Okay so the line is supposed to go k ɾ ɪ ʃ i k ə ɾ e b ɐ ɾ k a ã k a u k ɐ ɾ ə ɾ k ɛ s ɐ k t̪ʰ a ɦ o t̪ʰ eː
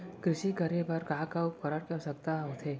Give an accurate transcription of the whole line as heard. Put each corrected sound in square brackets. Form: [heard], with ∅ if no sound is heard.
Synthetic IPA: k ɾ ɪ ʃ i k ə ɾ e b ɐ ɾ k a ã k a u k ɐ ɾ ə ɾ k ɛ s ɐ k [t̪] a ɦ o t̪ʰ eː